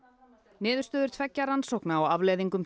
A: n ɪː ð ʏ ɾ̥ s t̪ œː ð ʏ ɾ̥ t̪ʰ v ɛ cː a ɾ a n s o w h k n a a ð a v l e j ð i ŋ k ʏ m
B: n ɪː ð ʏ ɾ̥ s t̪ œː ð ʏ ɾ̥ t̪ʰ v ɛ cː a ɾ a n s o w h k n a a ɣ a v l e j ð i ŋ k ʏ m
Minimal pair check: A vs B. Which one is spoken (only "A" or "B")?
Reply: B